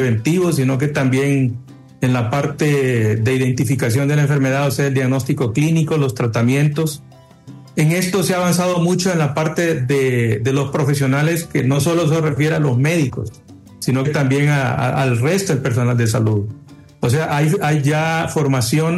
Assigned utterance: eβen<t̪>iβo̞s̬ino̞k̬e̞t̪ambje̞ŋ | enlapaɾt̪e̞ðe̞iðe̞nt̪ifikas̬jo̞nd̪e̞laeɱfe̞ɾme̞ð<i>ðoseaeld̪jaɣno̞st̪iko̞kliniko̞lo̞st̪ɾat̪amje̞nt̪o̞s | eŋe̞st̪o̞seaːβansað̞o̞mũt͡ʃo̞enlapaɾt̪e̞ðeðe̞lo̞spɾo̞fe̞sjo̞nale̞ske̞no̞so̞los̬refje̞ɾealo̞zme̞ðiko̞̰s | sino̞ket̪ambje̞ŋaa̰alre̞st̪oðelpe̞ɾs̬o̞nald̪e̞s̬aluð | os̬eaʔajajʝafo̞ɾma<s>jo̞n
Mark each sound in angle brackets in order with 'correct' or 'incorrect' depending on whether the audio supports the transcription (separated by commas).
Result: correct, incorrect, correct